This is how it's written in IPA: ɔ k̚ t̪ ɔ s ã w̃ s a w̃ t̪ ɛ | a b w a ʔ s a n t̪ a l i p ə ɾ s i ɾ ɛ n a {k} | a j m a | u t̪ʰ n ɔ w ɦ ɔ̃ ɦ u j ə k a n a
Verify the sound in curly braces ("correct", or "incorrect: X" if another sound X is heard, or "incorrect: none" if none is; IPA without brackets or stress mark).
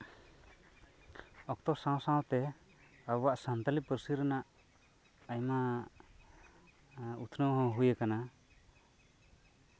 incorrect: ʔ